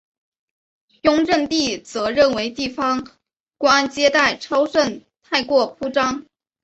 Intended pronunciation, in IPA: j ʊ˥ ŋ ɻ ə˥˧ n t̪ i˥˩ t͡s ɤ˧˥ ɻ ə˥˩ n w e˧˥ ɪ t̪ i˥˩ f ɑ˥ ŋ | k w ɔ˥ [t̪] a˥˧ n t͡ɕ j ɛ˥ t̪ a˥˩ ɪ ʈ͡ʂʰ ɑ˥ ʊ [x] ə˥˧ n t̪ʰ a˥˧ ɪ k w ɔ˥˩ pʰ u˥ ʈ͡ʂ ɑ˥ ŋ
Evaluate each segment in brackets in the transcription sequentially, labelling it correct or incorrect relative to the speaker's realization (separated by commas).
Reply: incorrect, incorrect